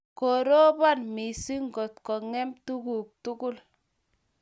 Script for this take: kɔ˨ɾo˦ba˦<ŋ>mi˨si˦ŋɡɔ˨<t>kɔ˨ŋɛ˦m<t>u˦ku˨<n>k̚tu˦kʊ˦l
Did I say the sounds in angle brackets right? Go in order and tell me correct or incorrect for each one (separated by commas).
incorrect, correct, correct, incorrect